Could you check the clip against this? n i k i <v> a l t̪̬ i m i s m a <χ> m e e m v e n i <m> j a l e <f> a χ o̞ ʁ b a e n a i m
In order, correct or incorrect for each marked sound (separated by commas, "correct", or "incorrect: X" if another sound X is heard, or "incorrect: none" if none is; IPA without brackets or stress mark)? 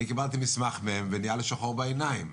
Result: incorrect: b, correct, incorrect: none, incorrect: ʃ